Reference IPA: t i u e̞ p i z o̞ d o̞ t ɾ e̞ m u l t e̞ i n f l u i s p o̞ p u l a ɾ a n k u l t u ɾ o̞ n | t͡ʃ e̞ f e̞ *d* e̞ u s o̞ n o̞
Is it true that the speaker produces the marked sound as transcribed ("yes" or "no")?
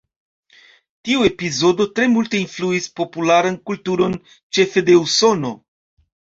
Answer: yes